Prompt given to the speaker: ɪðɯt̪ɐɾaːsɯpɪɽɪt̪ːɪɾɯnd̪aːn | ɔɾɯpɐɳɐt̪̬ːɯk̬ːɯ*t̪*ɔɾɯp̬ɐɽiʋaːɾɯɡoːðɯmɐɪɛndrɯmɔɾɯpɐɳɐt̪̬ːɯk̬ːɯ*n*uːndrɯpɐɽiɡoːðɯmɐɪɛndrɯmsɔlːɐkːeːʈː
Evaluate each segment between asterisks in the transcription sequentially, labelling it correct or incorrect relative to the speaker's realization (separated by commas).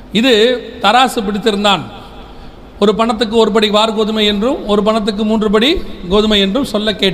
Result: incorrect, incorrect